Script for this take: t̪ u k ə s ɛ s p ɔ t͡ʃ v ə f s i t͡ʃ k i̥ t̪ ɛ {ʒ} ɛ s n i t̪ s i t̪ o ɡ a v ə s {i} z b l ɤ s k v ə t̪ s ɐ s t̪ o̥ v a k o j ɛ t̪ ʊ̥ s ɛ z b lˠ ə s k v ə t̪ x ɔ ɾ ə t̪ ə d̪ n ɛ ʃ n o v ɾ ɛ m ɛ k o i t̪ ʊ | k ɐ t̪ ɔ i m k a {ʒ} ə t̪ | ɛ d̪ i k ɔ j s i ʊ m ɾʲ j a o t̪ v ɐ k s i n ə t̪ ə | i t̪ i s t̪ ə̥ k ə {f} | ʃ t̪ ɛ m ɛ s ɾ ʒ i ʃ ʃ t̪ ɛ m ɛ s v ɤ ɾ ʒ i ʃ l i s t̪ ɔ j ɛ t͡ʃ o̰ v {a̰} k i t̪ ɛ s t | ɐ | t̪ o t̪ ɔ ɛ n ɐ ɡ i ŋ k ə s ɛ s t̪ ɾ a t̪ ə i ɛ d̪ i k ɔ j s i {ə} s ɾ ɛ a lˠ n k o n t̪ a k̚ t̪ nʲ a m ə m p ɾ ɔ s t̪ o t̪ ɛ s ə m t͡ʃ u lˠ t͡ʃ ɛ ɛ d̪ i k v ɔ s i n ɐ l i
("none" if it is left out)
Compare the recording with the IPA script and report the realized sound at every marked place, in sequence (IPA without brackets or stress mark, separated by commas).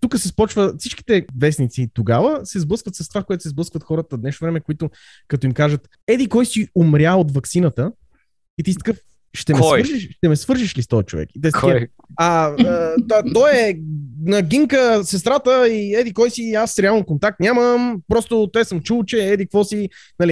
v, ɛ, ʒ, f, ɛ̰, a